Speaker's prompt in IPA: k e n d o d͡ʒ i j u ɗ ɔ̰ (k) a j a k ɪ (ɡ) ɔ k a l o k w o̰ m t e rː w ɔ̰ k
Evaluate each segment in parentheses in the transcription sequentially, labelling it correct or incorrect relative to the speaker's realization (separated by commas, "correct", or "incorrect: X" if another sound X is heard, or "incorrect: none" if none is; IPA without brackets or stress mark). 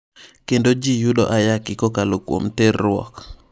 incorrect: ʔ, incorrect: k